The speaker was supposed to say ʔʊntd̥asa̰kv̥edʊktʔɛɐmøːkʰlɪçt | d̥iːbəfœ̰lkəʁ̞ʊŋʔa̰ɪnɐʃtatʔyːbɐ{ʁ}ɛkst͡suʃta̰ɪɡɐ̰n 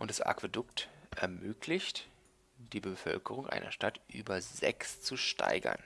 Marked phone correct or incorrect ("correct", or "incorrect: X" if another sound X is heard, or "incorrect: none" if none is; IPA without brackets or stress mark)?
incorrect: z